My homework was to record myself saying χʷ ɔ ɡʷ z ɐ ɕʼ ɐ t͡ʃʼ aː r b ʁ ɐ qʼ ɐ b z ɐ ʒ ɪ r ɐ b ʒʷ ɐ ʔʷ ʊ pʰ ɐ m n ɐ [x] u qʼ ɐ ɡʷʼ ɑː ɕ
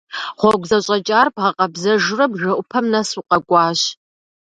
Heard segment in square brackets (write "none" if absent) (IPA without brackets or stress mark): s